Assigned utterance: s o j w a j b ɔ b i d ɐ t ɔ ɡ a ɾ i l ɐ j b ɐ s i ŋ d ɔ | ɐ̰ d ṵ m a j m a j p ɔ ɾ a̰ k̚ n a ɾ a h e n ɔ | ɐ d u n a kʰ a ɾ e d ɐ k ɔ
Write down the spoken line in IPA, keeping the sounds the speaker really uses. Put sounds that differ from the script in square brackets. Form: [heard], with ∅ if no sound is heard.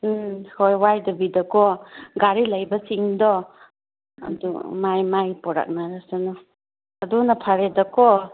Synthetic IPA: [h] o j w a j [d] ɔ b i d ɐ [k] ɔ ɡ a ɾ i l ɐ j b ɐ s i ŋ d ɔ | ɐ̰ d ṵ m a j m a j p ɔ ɾ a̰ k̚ n a ɾ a [s] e n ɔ | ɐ d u n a [pʰ] a ɾ e d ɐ k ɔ

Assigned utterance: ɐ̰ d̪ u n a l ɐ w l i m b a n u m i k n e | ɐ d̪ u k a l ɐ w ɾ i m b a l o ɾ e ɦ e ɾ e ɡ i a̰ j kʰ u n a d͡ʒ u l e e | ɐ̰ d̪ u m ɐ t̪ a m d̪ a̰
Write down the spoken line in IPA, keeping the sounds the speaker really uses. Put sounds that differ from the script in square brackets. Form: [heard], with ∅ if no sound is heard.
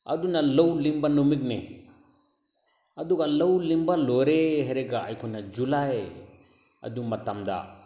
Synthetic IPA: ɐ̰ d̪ u n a l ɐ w l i m b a n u m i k n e | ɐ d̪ u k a l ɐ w [l] i m b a l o ɾ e ɦ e ɾ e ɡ [a] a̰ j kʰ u n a d͡ʒ u l [a] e | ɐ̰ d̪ u m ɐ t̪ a m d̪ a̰

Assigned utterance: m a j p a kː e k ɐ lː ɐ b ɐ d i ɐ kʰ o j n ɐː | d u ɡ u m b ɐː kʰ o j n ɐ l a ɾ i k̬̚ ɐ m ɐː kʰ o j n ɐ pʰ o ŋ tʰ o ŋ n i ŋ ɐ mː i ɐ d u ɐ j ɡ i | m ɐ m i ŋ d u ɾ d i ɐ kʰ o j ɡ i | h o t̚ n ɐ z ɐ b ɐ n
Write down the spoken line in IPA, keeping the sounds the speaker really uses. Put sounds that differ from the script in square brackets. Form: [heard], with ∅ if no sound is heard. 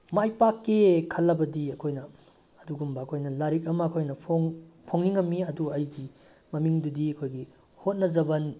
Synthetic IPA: m a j p a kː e [kʰ] ɐ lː ɐ b ɐ d i ɐ kʰ o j n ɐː | d u ɡ u m b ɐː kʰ o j n ɐ l a ɾ i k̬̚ ɐ m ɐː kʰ o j n ɐ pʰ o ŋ [pʰ] o ŋ n i ŋ ɐ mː i ɐ d u ɐ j ɡ i | m ɐ m i ŋ d u [∅] d i ɐ kʰ o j ɡ i | h o t̚ n ɐ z ɐ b ɐ n

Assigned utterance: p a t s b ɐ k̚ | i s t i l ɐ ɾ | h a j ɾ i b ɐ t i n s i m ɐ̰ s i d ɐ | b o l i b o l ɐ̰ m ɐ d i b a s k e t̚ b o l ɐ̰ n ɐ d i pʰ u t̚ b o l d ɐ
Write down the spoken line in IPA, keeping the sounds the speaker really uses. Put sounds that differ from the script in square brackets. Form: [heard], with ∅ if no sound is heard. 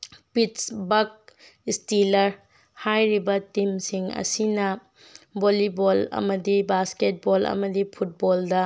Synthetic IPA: p [i] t s b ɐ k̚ | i s t i l ɐ ɾ | h a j ɾ i b ɐ t i [m] s i [ŋ] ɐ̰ s i [n] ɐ | b o l i b o l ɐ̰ m ɐ d i b a s k e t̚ b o l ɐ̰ [m] ɐ d i pʰ u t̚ b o l d ɐ

